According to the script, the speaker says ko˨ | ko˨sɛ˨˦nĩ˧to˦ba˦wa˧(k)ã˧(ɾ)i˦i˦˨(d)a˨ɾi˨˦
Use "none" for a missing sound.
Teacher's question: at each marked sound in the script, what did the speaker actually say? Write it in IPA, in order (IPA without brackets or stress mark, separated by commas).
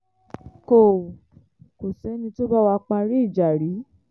k͡p, ɾ, d͡ʒ